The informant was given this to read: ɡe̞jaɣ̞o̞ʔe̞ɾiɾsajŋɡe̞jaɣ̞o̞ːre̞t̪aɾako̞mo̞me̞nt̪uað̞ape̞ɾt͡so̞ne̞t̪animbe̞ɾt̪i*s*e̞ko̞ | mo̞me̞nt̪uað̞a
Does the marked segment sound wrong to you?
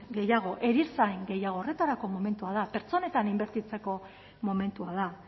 yes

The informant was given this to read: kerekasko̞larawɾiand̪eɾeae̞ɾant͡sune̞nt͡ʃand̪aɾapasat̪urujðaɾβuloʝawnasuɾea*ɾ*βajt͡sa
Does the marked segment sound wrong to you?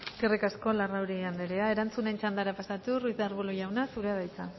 yes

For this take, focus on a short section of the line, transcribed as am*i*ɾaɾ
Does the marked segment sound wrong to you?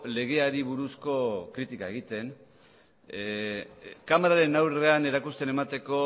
yes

